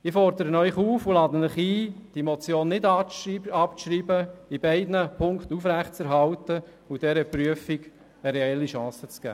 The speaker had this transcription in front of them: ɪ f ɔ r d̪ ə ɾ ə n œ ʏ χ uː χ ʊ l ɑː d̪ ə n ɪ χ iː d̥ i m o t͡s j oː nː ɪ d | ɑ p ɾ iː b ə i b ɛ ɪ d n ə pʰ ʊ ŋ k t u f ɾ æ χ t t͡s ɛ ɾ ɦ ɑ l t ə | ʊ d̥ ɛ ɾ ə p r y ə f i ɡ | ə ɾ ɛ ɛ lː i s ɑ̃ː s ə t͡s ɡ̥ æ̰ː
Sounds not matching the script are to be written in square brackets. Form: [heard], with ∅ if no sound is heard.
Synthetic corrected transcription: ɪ f ɔ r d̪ ə ɾ ə n œ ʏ χ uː [f] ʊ l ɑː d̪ ə n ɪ χ iː d̥ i m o t͡s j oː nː ɪ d | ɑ p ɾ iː b ə i b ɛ ɪ d n ə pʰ ʊ ŋ k t u f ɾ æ χ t t͡s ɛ ɾ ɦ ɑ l t ə | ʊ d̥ ɛ ɾ ə p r y ə f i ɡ | ə ɾ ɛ ɛ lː i [ʃ] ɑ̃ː s ə t͡s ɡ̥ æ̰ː

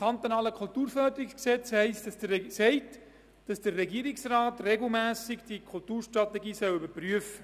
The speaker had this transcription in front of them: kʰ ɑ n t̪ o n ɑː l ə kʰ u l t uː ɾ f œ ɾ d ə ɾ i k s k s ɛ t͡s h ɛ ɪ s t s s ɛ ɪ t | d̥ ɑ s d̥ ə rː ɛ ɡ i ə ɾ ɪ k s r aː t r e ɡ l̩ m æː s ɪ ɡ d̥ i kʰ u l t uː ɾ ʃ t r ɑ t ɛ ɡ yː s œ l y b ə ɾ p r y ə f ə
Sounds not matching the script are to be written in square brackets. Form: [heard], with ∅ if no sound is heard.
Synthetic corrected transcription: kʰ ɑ n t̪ o n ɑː l ə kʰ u l t uː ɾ f œ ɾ d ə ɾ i k s k s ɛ t͡s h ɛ ɪ s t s s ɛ ɪ t | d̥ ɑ s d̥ ə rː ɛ ɡ i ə ɾ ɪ k s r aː t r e ɡ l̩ m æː s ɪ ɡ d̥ i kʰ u l t uː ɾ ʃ t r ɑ t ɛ ɡ [iː] s œ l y b ə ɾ p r y ə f ə

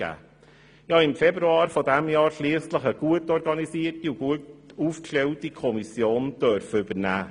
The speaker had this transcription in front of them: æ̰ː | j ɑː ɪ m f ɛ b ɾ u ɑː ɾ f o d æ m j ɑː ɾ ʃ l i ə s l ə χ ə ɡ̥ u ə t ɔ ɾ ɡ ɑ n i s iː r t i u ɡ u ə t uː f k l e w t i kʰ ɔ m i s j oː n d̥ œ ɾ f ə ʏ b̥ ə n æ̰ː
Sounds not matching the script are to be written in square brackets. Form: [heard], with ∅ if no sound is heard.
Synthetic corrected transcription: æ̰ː | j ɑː ɪ m f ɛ b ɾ u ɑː ɾ f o d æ m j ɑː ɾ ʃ l i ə s l ə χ ə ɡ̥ u ə t ɔ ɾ ɡ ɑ n i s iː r t i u ɡ u ə t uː f k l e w t i kʰ ɔ m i s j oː n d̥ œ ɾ f ə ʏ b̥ ə n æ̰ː

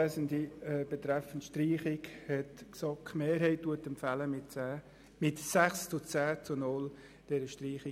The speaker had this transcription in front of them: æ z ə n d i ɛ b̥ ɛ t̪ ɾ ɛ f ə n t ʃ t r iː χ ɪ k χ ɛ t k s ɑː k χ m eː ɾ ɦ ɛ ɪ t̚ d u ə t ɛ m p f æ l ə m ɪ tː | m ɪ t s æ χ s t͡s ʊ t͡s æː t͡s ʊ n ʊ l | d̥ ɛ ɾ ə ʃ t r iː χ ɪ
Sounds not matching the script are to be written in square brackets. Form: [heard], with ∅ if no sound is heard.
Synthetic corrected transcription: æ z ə n d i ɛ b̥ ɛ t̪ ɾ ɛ f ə n t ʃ t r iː χ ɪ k [h] ɛ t k s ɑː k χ m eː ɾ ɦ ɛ ɪ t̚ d u ə t ɛ m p f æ l ə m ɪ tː | m ɪ t s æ χ s t͡s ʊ t͡s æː t͡s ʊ n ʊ l | d̥ ɛ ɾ ə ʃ t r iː χ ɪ

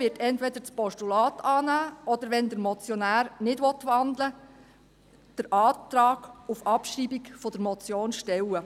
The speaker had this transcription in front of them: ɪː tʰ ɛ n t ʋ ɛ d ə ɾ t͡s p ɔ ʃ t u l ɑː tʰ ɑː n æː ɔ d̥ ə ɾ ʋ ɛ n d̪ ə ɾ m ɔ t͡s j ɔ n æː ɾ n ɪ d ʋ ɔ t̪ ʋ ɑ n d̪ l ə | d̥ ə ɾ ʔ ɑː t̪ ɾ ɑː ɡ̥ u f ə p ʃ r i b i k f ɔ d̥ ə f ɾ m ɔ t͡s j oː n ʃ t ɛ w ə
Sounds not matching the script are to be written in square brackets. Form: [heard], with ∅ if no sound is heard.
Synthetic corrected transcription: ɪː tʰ ɛ n t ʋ ɛ d ə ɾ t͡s p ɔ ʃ t u l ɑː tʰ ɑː n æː ɔ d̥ ə ɾ ʋ ɛ n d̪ ə ɾ m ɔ t͡s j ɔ n æː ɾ n ɪ d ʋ ɔ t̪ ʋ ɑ n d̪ l ə | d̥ ə ɾ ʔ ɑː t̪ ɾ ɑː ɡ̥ u f [ɑ] p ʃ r i b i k f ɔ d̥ ə [∅] ɾ m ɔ t͡s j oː n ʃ t ɛ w ə

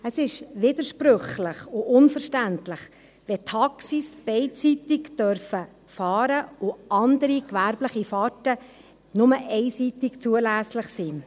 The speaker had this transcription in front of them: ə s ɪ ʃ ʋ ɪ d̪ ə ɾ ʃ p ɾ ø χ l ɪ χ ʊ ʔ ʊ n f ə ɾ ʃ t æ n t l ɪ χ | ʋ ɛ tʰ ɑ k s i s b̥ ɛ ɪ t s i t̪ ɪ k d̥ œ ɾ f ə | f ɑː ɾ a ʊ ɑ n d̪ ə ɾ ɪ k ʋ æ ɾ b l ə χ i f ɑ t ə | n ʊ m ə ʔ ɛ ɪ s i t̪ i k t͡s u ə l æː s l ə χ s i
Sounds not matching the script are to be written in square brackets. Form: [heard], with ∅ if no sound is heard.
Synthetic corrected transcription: ə s ɪ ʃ ʋ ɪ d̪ ə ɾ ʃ p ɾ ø χ l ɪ χ ʊ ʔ ʊ n f ə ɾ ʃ t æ n t l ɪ χ | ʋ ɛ tʰ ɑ k s i s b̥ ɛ ɪ t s i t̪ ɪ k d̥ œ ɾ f ə | f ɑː ɾ [ə] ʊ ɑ n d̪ ə ɾ [i] k ʋ æ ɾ b l ə χ i f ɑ t ə | n ʊ m ə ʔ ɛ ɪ s i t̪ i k t͡s u ə l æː s l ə χ s i

